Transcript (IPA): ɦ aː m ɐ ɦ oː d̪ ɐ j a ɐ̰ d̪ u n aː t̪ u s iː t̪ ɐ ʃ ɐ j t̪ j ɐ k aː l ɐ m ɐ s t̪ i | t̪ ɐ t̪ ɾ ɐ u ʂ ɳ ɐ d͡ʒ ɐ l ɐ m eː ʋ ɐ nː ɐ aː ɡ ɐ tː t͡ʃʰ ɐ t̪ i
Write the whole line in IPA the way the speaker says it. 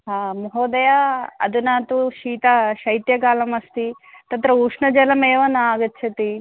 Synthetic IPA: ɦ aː m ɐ ɦ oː d̪ ɐ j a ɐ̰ d̪ u n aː t̪ u ʃ iː t̪ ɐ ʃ ɐ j t̪ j ɐ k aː l ɐ m ɐ s t̪ i | t̪ ɐ t̪ ɾ ɐ u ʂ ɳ ɐ d͡ʒ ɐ l ɐ m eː ʋ ɐ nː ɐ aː ɡ ɐ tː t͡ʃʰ ɐ t̪ i